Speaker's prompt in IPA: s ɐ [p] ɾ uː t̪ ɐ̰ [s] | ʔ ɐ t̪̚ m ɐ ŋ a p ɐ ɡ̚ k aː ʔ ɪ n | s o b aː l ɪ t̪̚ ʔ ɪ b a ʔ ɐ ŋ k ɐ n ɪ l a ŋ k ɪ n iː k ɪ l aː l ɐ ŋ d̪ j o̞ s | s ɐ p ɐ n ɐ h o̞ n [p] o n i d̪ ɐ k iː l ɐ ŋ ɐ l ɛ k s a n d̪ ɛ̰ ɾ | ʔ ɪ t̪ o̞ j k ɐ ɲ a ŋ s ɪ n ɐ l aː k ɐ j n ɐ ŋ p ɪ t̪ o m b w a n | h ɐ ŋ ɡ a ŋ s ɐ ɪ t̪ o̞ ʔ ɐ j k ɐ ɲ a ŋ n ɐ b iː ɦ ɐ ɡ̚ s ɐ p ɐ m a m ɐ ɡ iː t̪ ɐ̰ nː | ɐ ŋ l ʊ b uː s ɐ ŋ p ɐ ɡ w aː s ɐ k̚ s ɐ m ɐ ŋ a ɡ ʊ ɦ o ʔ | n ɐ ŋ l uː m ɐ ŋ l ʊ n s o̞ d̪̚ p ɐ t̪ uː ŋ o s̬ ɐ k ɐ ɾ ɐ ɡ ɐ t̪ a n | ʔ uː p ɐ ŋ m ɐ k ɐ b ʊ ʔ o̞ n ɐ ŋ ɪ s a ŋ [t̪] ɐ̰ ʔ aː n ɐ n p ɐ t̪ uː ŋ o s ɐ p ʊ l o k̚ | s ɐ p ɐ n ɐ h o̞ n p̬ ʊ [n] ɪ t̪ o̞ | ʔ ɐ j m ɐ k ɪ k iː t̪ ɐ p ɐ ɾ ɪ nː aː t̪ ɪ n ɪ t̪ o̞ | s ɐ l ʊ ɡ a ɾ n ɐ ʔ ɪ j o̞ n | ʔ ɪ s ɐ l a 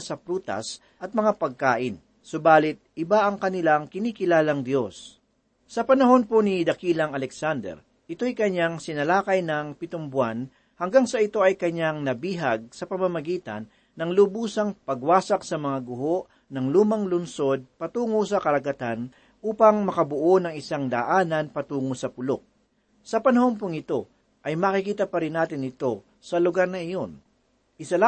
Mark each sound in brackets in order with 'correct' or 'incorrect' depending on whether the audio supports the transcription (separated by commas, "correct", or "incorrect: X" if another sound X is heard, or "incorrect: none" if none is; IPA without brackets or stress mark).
correct, correct, correct, incorrect: d̪, incorrect: ŋ